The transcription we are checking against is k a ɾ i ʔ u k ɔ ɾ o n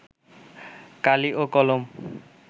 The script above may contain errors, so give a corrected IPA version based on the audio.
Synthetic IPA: k a l i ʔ o k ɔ l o m